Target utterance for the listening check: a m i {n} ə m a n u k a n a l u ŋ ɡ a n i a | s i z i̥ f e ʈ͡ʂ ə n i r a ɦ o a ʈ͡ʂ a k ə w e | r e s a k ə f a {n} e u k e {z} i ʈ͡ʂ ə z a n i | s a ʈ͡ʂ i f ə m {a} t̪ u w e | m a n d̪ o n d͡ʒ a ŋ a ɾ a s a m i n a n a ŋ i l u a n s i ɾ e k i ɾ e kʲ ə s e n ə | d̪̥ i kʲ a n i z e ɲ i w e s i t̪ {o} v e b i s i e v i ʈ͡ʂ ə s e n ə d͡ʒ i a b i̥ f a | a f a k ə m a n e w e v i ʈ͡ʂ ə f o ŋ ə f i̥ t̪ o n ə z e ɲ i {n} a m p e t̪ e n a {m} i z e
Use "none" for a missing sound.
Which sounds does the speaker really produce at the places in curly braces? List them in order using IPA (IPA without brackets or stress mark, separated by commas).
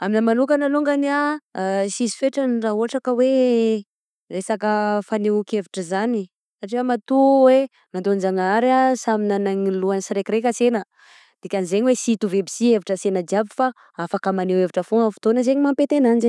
n, n, v, a, u, m, n